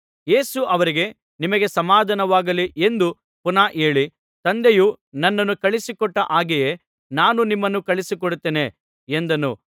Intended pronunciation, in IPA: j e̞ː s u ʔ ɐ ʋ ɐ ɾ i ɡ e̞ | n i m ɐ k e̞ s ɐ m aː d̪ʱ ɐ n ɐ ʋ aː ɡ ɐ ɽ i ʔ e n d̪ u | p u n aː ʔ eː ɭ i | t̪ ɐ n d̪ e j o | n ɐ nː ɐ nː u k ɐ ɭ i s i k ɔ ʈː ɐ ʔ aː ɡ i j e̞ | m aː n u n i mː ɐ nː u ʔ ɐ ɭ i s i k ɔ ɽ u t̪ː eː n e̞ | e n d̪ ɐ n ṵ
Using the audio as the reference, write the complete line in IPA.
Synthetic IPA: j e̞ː s u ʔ ɐ ʋ ɐ ɾ i ɡ e̞ | n i m ɐ ɡ e̞ s ɐ m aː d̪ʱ ɐ n ɐ ʋ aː ɡ ɐ l i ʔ e n d̪ u | p u n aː ʔ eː ɭ i | t̪ ɐ n d̪ e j u | n ɐ nː ɐ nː u k ɐ ɭ i s i k ɔ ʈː ɐ ʔ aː ɡ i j e̞ | n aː n u n i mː ɐ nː u k ɐ ɭ i s i k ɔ ɽ u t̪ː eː n e̞ | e n d̪ ɐ n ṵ